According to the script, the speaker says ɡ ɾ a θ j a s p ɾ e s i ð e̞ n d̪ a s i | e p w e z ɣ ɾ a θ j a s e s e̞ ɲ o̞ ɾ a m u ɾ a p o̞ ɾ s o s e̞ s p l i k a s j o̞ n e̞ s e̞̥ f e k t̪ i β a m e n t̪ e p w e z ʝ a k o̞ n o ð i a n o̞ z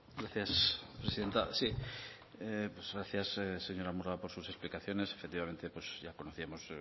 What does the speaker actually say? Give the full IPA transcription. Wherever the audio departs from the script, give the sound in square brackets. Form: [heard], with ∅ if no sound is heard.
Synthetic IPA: ɡ ɾ a θ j a s p ɾ e s i ð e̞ n [t̪] a s i | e p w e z ɣ ɾ a θ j a s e s e̞ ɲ o̞ ɾ a m u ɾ a p o̞ ɾ s [u] s e̞ s p l i k a [θ] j o̞ n e̞ s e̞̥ f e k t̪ i β a m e n t̪ e p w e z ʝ a k o̞ n o [θ] i a [m] o̞ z